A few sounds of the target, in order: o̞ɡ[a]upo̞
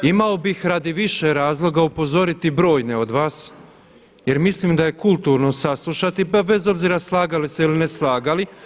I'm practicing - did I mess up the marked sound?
no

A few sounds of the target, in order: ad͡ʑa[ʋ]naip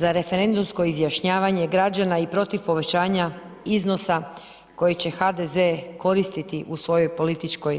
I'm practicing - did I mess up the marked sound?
yes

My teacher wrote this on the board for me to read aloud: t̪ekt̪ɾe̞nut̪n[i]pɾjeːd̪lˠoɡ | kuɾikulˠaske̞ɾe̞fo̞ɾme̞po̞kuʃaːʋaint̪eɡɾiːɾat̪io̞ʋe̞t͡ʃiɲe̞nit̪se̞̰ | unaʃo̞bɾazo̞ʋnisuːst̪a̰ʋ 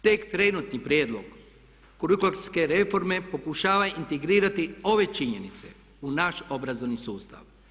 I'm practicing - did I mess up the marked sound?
no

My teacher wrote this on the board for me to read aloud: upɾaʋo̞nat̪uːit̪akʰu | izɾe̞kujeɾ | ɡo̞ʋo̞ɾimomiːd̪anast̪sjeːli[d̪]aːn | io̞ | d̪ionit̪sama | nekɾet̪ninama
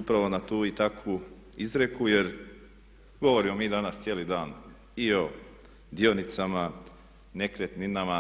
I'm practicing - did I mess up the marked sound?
no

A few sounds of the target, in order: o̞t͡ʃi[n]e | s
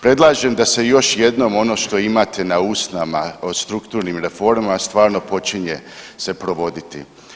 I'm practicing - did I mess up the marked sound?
yes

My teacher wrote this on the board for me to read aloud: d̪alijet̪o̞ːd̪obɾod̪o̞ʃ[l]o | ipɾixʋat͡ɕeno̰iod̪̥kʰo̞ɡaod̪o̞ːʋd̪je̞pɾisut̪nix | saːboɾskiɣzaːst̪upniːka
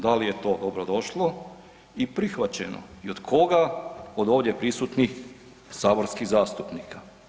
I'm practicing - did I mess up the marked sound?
no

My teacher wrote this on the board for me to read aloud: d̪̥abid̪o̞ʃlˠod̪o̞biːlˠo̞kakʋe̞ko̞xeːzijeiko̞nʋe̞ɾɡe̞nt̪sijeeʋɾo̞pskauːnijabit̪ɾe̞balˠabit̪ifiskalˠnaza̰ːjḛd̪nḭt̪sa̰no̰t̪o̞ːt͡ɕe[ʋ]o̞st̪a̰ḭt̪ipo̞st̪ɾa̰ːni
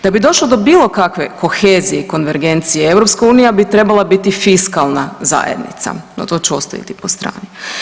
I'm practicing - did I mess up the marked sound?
yes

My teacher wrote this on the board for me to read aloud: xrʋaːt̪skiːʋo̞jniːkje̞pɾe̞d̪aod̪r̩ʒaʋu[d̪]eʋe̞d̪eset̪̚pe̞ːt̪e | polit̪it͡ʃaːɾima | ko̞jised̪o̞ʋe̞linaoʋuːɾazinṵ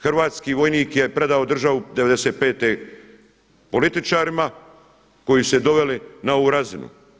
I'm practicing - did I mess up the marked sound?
no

